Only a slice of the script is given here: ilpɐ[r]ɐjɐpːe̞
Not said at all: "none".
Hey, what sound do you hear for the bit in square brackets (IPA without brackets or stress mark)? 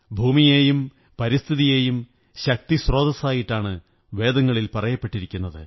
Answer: r